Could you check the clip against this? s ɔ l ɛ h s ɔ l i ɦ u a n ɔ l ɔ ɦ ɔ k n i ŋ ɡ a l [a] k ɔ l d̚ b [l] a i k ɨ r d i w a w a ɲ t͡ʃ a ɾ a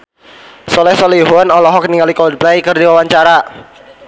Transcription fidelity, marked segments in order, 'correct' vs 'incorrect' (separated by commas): incorrect, correct